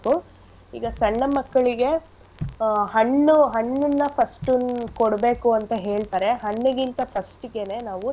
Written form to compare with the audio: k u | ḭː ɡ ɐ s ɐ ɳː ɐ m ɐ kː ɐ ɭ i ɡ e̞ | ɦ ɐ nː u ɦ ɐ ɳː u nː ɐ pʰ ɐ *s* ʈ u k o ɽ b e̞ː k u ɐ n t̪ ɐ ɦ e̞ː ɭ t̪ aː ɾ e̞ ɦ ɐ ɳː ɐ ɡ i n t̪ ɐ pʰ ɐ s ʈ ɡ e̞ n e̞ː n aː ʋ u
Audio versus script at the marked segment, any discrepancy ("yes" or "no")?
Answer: no